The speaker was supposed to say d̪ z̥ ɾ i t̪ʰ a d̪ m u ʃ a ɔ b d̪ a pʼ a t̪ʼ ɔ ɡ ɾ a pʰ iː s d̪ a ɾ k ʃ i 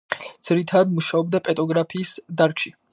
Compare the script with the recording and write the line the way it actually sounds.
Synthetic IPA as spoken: d̪ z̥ ɾ i t̪ʰ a d̪ m u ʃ a ɔ b d̪ a pʼ ɛ t̪ʼ ɔ ɡ ɾ a pʰ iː s d̪ a ɾ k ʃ i